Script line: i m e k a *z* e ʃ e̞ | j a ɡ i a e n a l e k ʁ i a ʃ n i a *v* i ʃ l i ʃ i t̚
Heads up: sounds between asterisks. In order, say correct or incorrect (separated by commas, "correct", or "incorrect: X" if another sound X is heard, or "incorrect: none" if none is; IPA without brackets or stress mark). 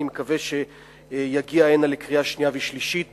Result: incorrect: v, correct